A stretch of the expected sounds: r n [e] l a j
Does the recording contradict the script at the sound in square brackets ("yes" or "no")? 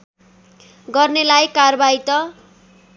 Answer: no